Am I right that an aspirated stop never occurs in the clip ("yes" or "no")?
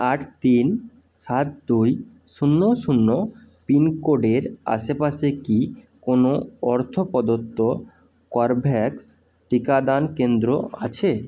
no